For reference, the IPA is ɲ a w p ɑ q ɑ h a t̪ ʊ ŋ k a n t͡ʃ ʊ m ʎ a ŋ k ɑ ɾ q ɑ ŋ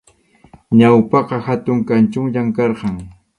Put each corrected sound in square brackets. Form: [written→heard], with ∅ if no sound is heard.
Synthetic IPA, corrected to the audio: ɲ a w p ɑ q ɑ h a t̪ ʊ ŋ k a n t͡ʃ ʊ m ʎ a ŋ k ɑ ɾ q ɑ ŋ